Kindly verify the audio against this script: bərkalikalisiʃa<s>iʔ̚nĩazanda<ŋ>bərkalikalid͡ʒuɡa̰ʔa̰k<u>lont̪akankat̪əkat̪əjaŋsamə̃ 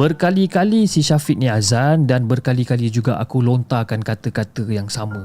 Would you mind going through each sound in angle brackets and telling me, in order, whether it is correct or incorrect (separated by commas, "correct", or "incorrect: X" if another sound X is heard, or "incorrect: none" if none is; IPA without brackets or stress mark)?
incorrect: f, incorrect: n, correct